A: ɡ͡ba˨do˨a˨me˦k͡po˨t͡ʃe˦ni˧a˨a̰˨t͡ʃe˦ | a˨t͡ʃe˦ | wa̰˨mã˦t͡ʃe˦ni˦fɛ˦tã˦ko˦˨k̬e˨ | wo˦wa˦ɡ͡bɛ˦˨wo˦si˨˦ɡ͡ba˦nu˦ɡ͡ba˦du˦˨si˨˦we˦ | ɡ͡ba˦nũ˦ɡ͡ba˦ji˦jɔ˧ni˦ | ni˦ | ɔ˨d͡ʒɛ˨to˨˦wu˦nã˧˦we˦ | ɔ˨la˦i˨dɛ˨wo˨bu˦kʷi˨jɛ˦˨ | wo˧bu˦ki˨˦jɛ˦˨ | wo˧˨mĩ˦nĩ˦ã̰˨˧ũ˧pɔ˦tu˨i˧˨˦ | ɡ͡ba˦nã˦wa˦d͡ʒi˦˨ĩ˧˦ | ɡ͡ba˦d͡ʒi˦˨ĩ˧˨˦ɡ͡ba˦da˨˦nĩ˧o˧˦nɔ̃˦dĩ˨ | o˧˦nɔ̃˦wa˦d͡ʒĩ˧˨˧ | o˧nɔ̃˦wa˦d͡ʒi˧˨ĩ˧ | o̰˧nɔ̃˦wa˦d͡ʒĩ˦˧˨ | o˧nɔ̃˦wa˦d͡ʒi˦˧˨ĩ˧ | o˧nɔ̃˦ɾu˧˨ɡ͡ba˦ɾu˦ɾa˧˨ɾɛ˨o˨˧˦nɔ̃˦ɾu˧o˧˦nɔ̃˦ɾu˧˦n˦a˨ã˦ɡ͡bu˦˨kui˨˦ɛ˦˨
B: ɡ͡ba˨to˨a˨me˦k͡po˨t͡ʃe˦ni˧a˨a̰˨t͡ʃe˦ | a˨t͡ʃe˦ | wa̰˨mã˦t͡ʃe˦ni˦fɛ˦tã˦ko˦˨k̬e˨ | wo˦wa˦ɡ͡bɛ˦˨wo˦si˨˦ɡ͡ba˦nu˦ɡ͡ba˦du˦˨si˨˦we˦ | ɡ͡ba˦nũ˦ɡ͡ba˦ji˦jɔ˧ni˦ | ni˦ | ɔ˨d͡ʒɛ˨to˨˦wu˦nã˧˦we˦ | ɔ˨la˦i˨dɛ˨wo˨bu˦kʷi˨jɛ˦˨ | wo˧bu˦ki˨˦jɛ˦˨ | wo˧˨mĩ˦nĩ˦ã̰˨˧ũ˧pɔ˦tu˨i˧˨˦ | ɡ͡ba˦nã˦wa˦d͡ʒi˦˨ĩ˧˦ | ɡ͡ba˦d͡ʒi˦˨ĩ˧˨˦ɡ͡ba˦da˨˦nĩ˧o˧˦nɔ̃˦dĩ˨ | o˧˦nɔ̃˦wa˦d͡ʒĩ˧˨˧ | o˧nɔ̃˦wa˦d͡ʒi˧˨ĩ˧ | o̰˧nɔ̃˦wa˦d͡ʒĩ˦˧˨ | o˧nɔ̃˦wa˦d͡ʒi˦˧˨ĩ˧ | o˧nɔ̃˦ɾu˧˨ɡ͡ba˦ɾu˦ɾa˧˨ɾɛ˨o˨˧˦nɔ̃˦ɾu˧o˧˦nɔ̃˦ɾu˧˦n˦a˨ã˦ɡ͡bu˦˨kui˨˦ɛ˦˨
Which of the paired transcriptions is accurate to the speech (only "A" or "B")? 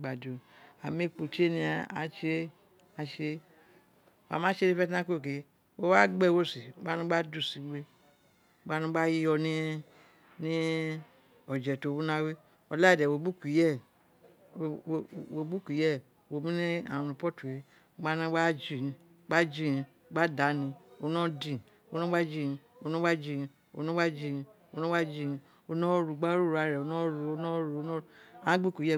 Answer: A